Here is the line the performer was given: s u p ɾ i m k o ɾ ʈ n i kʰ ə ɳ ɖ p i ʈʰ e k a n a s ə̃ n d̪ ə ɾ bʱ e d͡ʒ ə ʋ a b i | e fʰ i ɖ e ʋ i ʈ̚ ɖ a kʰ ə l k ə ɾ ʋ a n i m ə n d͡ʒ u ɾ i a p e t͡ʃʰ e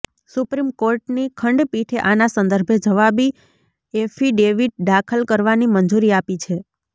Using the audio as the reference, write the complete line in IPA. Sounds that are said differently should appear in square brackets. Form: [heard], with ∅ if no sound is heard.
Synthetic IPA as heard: s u p ɾ i m k o ɾ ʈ n i kʰ ə ɳ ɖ p i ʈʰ e [ʔ] a n a s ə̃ n d̪ ə ɾ bʱ e d͡ʒ ə ʋ a b i | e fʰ i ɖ e ʋ i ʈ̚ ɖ a kʰ ə l k ə ɾ ʋ a n i m ə n d͡ʒ u ɾ i a p [i] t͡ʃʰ e

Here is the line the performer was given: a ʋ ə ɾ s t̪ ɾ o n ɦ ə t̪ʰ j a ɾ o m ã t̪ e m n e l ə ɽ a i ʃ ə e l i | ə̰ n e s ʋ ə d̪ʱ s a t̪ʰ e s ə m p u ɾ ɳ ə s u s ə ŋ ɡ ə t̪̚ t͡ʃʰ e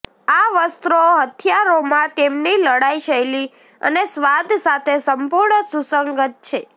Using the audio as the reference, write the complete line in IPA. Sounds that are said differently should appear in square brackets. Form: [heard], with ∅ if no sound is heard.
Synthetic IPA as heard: a ʋ ə [∅] s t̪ ɾ o [∅] ɦ ə t̪ʰ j a ɾ o m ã t̪ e m n [i] l ə ɽ a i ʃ ə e l i | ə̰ n e s ʋ [a] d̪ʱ s a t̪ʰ e s ə m p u ɾ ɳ ə s u s ə ŋ ɡ ə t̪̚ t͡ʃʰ e

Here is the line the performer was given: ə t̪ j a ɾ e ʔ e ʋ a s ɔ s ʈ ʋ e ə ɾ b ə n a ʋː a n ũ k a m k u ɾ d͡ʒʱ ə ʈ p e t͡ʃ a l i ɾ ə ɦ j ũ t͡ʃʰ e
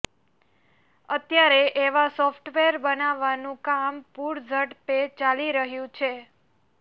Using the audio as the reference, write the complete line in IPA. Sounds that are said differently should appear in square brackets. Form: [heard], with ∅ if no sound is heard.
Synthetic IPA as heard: ə t̪ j a ɾ e ʔ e ʋ a s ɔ [f] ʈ ʋ e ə ɾ b ə n a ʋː a n ũ k a m [p] u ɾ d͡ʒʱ ə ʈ p e t͡ʃ a l i ɾ ə ɦ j ũ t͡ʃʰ e

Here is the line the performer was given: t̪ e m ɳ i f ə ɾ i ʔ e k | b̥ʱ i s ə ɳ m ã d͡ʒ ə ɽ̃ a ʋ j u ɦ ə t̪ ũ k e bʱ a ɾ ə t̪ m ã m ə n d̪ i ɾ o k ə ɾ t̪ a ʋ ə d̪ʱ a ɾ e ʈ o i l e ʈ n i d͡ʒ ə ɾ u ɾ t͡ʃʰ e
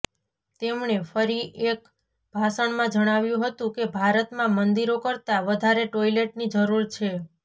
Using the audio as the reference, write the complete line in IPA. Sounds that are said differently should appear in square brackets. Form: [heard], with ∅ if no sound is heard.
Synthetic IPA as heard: t̪ e m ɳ [e] f ə ɾ i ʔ e k | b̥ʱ [a] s ə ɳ m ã d͡ʒ ə ɽ̃ a ʋ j [ũ] ɦ ə t̪ ũ k e bʱ a ɾ ə t̪ m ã m ə n d̪ i ɾ o k ə ɾ t̪ a ʋ ə d̪ʱ a ɾ e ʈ o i l e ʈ n i d͡ʒ ə ɾ u ɾ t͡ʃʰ e

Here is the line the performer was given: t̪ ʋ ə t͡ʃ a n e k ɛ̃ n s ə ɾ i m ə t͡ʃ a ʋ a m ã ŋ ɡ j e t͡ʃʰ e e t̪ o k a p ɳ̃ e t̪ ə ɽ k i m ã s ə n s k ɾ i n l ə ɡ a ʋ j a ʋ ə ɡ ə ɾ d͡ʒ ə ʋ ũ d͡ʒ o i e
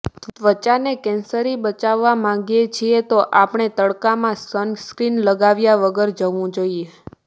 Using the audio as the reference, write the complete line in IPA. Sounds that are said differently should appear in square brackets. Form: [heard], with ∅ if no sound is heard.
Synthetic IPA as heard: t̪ ʋ ə t͡ʃ a n e k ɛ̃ n s ə ɾ i [b] ə t͡ʃ a [ʋː] a m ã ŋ ɡ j e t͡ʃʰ [i] e t̪ o [ʔ] a p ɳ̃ e t̪ ə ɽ k [a] m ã s ə n s k ɾ i n l ə ɡ a ʋ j a ʋ ə ɡ ə ɾ d͡ʒ ə ʋ ũ d͡ʒ o i e

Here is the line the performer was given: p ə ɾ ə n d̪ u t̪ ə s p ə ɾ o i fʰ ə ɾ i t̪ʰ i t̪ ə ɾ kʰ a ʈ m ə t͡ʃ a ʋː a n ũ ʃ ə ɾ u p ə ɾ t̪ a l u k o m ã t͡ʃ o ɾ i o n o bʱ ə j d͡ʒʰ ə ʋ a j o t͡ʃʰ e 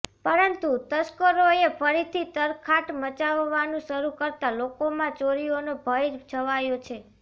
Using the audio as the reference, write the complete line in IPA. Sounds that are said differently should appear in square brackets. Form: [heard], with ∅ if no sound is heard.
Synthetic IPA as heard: p ə ɾ ə n [t̪] u t̪ ə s [k] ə ɾ o [e] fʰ ə ɾ i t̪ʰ i t̪ ə ɾ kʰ a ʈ m ə t͡ʃ a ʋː a n ũ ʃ ə ɾ u [k] ə ɾ t̪ a l [o] k o m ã t͡ʃ o ɾ i o n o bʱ ə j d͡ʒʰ ə ʋ a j o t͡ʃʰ e

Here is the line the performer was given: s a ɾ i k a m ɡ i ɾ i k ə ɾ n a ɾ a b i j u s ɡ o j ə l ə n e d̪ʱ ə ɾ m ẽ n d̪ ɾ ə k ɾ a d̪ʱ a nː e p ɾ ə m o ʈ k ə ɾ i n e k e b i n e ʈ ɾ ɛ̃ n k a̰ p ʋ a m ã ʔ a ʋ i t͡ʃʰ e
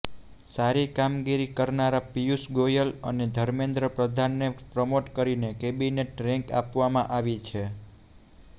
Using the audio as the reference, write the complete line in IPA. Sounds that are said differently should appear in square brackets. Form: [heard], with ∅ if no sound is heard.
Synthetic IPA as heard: s a ɾ i k a m ɡ i ɾ i k ə ɾ n a ɾ a [p] i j u s ɡ o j ə l ə n e d̪ʱ ə ɾ m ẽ n d̪ ɾ ə [p] ɾ [ə] d̪ʱ a nː e p ɾ ə m o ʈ k ə ɾ i n e k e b i n e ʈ ɾ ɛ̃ [ŋ] k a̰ p ʋ a m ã ʔ a ʋ i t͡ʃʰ e

